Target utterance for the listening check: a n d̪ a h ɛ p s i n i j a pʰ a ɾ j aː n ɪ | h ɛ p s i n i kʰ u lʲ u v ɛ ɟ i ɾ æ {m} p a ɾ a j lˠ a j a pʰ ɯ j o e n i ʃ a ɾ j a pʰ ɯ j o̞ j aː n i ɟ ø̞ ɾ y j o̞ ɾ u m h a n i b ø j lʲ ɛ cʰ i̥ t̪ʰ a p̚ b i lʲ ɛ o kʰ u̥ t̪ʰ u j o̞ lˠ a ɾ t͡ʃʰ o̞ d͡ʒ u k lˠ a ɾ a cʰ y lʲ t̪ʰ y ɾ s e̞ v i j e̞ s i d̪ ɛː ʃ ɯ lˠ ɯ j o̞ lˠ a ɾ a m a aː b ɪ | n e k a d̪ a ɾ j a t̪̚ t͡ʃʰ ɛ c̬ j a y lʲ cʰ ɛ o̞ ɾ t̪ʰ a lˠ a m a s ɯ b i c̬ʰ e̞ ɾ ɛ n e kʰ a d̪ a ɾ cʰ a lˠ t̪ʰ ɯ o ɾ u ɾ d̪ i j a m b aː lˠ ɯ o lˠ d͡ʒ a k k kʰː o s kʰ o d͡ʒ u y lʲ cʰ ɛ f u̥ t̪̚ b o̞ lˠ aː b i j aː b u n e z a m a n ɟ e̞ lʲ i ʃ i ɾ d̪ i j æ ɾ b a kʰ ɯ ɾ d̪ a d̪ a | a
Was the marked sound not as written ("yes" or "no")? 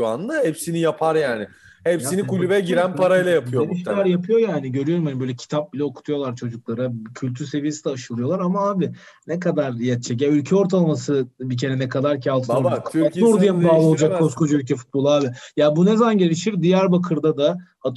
yes